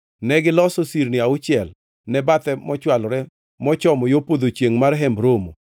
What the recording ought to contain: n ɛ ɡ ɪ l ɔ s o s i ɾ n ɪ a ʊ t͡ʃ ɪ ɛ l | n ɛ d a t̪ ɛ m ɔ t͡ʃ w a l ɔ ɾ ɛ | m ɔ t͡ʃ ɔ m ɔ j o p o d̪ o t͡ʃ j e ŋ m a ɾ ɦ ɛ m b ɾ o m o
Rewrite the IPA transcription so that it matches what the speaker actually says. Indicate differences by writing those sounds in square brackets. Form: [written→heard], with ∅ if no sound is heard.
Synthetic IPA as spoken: n ɛ ɡ ɪ l ɔ s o s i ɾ n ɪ a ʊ t͡ʃ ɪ ɛ l | n ɛ [d→b] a t̪ ɛ m ɔ t͡ʃ w a l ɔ ɾ ɛ | m ɔ t͡ʃ ɔ m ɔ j o p o d̪ o t͡ʃ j e ŋ m a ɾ ɦ ɛ m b ɾ o m o